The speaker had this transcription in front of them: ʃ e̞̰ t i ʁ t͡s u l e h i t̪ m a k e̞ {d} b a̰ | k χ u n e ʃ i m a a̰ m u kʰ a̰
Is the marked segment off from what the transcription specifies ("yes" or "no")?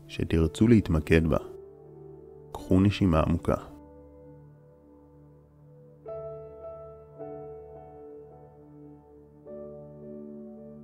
no